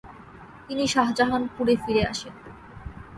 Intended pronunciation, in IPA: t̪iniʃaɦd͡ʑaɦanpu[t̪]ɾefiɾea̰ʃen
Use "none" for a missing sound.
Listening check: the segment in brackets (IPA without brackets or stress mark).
none